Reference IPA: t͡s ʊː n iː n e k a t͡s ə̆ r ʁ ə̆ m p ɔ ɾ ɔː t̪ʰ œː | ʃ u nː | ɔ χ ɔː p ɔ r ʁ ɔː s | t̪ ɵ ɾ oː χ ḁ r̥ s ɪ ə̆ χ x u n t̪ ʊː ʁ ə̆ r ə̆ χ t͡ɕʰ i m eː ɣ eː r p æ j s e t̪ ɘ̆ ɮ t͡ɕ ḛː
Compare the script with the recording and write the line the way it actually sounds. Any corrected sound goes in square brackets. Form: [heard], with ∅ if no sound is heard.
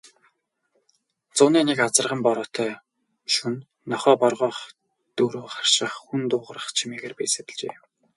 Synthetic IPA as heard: t͡s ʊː n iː n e k a t͡s ə̆ r ʁ ə̆ m p ɔ ɾ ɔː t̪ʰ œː | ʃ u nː | ɔ χ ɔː p ɔ r ʁ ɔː [χ] | t̪ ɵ ɾ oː χ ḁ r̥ [ʃ] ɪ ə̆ χ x u n t̪ ʊː ʁ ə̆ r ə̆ χ t͡ɕʰ i m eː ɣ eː r p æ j s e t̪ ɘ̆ ɮ t͡ɕ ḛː

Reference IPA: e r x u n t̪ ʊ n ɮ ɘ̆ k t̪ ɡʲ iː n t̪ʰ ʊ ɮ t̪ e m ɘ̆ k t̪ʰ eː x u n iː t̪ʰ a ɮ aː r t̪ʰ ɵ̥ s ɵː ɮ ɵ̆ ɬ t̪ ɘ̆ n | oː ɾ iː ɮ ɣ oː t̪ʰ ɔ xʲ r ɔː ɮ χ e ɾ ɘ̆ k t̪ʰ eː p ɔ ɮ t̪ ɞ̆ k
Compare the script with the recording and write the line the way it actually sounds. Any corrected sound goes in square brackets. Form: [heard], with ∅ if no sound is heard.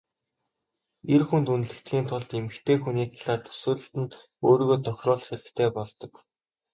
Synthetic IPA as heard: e r x u n t̪ [u] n ɮ ɘ̆ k t̪ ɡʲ iː n t̪ʰ ʊ ɮ t̪ e m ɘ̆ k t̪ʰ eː x u n iː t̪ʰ a ɮ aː r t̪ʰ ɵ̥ s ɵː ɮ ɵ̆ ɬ t̪ ɘ̆ n | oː ɾ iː [∅] ɣ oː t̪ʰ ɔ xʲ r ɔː ɮ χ e ɾ ɘ̆ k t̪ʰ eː p ɔ ɮ t̪ ɞ̆ k

